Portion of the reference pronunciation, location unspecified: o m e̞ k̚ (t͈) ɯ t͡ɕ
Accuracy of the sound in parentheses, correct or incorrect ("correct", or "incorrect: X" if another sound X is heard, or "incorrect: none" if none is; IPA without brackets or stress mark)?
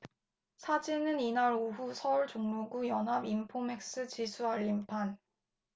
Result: incorrect: s͈